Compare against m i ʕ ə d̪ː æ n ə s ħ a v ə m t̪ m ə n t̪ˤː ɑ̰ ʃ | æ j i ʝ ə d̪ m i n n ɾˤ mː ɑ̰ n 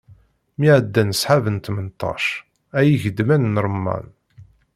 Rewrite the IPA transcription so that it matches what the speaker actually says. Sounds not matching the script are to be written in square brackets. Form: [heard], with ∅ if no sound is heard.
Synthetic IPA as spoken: m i ʕ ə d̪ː æ n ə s ħ a v ə [n] t̪ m ə n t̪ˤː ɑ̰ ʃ | æ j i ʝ ə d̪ m [æ] n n ɾˤ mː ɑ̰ n